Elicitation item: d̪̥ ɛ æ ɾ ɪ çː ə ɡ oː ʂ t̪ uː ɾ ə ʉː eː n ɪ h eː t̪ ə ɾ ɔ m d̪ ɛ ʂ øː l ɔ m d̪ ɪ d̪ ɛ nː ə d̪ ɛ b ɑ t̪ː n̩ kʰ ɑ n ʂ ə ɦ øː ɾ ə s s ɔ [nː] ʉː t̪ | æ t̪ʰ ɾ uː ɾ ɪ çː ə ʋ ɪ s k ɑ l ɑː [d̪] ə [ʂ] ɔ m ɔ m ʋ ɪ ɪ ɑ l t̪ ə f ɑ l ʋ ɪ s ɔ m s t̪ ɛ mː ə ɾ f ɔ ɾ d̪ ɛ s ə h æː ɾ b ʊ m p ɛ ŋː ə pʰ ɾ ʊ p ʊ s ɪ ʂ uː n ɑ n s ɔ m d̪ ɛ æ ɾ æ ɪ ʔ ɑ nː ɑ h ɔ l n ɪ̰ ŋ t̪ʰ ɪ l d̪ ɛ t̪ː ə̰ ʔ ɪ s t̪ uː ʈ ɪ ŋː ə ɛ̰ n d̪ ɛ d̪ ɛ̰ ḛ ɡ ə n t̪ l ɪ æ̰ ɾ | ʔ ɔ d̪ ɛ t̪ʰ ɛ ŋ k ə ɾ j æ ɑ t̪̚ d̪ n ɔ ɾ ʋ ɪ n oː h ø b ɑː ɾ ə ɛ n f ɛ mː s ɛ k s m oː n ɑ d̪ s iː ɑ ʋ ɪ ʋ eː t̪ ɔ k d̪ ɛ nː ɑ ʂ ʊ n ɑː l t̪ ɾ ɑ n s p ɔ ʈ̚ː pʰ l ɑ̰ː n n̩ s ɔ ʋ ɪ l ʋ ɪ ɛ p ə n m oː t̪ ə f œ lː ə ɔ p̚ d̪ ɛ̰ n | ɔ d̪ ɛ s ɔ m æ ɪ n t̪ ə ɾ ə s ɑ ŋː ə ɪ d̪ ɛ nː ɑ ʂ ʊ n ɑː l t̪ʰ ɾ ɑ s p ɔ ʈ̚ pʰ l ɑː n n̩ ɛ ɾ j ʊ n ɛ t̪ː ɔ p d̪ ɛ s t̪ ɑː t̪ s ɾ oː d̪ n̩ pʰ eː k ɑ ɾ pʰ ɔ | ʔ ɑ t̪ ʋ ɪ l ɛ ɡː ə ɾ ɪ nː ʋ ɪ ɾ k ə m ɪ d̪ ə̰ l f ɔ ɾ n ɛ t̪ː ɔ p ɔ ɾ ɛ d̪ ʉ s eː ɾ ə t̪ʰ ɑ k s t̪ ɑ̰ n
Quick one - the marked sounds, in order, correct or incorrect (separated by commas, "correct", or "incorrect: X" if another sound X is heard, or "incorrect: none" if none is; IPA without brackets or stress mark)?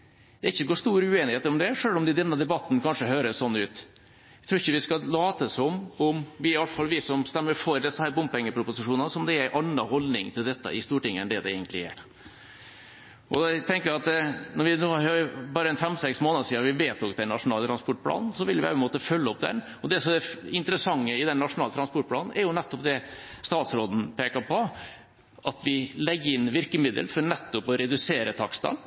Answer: correct, incorrect: t̪, incorrect: s